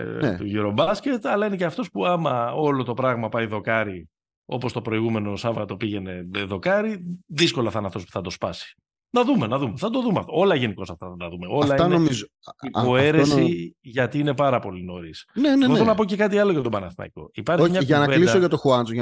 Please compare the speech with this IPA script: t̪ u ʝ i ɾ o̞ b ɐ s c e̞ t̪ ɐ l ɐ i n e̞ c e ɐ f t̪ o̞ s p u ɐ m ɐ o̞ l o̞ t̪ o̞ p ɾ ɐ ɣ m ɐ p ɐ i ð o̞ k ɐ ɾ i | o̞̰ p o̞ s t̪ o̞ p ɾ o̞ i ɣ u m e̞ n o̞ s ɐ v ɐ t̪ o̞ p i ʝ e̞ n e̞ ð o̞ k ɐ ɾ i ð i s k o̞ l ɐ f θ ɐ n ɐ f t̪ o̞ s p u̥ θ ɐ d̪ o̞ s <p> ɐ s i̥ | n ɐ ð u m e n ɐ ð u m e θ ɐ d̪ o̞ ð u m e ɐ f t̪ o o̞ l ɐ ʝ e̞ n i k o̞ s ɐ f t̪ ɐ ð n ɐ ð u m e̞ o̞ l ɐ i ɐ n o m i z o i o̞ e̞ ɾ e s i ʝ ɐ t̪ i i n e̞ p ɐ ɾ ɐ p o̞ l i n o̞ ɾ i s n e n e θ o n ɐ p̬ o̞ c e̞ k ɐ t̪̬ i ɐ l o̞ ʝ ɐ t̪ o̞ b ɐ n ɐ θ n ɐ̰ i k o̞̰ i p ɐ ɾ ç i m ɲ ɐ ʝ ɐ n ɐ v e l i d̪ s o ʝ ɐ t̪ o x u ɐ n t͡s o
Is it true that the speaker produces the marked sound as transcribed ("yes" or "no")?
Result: yes